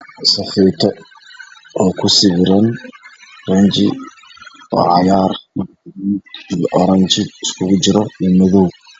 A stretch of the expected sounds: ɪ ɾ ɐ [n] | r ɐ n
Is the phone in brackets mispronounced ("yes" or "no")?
no